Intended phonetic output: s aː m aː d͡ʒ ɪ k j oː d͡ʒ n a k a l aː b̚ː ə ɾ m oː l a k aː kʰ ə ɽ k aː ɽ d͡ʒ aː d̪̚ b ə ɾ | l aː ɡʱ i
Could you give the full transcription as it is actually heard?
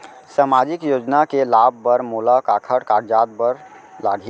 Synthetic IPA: s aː m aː d͡ʒ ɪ k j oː d͡ʒ n a k e l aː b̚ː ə ɾ m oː l a k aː kʰ ə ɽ k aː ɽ d͡ʒ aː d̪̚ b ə ɾ | l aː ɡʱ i

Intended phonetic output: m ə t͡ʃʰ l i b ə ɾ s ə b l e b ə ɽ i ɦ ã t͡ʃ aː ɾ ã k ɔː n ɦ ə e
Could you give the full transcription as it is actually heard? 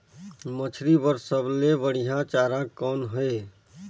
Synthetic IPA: m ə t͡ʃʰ ɾ i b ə ɾ s ə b l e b ə ɽ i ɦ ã t͡ʃ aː ɾ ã k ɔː n ɦ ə e

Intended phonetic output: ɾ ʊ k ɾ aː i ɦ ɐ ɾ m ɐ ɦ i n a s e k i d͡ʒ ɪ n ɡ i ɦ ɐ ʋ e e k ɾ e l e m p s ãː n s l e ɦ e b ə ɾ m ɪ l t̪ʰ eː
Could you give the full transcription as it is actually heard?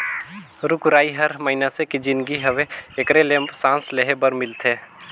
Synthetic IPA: ɾ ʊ k ɾ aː i ɦ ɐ ɾ m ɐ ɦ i n a s e k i d͡ʒ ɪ n ɡ i ɦ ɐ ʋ e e k ɾ e l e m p s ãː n s l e ɦ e b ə ɾ m ɪ l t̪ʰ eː

